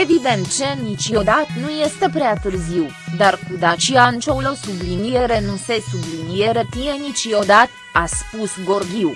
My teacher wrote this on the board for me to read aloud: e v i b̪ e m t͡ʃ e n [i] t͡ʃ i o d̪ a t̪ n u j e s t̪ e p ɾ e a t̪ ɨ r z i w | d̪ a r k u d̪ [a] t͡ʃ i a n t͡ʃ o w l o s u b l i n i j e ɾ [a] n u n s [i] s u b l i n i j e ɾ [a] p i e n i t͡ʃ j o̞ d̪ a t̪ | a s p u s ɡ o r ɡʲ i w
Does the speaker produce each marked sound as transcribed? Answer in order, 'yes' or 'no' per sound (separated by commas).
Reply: yes, yes, no, no, no